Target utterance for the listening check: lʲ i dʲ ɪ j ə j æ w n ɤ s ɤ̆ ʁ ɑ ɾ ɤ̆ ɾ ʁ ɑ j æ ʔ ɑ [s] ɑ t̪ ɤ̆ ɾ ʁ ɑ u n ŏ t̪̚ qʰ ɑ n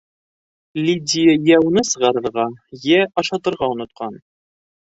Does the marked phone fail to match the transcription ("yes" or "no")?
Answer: yes